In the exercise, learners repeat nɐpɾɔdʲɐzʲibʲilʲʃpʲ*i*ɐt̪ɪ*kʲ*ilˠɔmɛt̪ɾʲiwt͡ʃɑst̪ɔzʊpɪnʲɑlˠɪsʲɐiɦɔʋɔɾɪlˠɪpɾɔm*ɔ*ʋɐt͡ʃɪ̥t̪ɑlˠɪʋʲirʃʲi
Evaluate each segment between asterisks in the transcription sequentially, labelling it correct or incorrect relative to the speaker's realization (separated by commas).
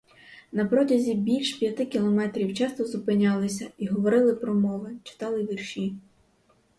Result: incorrect, correct, correct